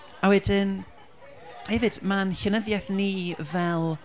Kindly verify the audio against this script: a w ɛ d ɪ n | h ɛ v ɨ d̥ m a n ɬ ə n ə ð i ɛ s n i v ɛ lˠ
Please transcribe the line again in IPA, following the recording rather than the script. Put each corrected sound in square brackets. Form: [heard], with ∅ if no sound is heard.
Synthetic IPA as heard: a w ɛ d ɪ n | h ɛ v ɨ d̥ m a n ɬ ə n ə ð [j] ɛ [θ] n i v ɛ lˠ